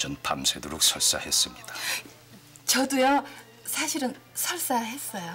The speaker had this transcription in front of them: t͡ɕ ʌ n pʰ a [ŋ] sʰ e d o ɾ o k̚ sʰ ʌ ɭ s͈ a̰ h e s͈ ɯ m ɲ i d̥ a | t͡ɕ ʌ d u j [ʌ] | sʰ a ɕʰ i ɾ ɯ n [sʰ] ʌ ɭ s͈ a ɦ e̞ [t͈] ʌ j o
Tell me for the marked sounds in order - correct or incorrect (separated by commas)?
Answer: incorrect, correct, correct, incorrect